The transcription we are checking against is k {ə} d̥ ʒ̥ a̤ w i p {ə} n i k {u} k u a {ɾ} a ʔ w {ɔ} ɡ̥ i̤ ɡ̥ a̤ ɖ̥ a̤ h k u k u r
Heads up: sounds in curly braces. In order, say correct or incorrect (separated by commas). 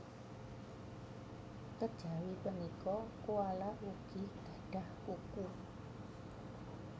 correct, correct, incorrect, incorrect, incorrect